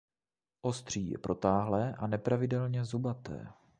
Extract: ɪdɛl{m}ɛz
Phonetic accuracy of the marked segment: incorrect: ɲ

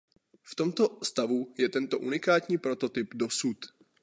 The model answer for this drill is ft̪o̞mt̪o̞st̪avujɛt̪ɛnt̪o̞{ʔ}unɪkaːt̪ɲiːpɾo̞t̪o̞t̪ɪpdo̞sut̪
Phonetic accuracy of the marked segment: correct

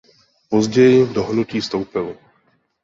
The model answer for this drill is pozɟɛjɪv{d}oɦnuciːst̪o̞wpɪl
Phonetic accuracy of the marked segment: correct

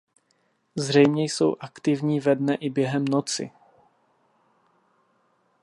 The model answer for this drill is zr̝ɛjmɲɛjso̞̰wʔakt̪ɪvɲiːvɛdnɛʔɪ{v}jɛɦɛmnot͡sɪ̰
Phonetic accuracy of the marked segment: incorrect: b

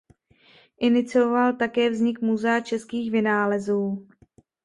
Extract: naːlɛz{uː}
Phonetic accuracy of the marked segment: correct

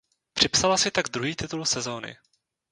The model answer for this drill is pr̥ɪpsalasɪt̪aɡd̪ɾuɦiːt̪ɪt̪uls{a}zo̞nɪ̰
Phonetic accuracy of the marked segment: incorrect: ɛ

